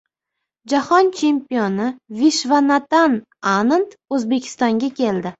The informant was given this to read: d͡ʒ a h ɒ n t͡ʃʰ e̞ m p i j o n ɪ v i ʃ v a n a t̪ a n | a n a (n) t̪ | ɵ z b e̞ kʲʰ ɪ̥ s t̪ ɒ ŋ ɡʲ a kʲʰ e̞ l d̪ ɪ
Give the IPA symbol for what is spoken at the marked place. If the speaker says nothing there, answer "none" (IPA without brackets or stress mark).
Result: n